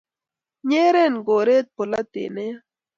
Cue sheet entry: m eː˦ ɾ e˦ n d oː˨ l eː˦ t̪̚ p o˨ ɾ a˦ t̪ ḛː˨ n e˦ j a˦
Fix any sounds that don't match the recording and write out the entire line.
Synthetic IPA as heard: ɲ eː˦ ɾ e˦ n ɡ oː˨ ɾ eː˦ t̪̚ p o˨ l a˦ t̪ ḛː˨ n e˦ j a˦

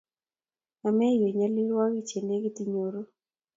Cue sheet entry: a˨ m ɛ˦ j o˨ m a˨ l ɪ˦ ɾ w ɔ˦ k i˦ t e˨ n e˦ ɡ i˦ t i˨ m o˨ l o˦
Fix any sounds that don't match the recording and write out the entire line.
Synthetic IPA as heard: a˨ m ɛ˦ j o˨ ɲ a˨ l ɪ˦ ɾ w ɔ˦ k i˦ t͡ʃ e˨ n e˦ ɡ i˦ t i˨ ɲ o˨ ɾ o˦

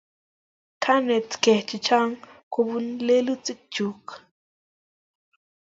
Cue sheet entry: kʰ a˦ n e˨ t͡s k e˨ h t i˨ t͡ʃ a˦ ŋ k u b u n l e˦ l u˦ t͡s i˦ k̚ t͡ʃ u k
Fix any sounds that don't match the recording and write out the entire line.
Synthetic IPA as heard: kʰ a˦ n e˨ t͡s k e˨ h t͡ʃ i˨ t͡ʃ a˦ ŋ k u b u n l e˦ l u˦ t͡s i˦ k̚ t͡ʃ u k

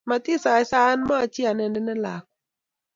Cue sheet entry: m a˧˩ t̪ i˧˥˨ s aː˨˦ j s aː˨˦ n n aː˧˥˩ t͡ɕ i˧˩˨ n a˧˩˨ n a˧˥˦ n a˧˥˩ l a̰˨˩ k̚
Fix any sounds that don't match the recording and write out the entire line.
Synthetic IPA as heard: m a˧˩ t̪ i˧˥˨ s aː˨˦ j s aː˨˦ n m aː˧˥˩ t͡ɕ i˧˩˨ n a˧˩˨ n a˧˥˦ n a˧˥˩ l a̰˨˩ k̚

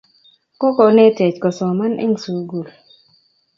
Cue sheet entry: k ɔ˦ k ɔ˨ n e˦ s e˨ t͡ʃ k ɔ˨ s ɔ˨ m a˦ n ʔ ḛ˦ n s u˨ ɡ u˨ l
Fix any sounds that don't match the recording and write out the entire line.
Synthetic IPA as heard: k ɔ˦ k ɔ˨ n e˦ t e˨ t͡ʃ k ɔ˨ s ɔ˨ m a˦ n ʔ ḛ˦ ŋ s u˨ ɡ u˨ l

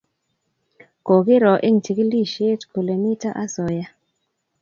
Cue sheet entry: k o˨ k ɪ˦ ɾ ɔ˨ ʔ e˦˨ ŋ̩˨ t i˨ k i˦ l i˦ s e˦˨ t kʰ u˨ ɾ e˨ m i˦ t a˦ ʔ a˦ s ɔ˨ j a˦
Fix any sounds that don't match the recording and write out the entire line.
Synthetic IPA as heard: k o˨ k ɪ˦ ɾ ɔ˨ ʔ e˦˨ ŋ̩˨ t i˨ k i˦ l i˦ ʃ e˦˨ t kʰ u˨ l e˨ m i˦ t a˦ ʔ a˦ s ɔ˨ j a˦

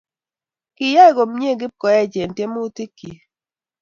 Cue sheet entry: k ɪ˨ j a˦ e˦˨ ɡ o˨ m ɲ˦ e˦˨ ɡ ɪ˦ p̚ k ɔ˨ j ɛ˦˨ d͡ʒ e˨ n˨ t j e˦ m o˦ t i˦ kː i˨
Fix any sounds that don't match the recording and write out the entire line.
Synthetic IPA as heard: k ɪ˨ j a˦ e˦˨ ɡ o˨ m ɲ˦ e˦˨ ɡ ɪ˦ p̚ k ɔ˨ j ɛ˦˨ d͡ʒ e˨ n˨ t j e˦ m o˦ t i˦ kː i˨

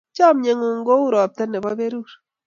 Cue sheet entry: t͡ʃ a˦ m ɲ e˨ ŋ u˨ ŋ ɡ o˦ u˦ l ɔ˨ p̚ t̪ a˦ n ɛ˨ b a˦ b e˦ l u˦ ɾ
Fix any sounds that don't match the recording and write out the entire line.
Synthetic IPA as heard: t͡ʃ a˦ m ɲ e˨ ŋ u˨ ŋ ɡ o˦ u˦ ɾ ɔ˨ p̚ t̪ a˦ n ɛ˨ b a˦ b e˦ ɾ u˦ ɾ

